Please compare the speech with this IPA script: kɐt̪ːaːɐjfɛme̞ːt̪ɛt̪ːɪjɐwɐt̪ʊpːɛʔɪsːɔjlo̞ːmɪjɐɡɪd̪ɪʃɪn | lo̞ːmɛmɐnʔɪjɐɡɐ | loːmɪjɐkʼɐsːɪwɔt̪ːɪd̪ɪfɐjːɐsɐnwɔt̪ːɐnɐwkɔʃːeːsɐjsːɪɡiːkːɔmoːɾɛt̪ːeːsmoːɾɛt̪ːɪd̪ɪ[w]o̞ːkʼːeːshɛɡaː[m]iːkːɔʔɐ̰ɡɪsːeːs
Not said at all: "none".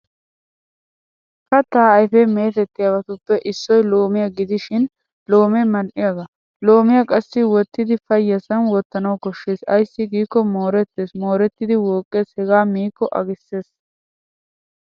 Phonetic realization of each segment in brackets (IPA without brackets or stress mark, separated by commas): w, m